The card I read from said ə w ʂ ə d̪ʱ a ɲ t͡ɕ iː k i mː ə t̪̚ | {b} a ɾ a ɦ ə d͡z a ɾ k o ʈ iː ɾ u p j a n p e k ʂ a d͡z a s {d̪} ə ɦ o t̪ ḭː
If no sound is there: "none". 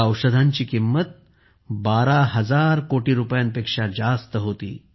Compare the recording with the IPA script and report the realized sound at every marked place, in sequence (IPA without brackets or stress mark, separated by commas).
b, t̪